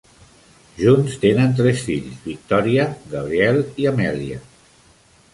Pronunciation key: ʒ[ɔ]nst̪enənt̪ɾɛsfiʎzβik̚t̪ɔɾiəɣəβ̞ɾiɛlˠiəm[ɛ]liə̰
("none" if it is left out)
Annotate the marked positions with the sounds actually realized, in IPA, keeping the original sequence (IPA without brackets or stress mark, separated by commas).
u, ɛ